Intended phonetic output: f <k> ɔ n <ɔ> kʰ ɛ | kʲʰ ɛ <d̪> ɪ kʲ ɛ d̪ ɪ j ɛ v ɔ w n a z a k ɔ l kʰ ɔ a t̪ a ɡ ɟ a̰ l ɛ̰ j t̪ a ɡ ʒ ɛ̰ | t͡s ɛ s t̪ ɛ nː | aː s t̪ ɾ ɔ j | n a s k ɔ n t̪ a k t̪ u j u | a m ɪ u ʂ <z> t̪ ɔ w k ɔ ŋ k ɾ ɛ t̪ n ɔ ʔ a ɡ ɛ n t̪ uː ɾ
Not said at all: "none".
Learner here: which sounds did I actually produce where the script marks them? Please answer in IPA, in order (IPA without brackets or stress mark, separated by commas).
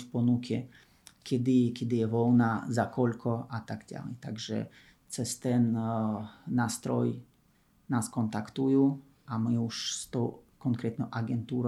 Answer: p, u, d̪, s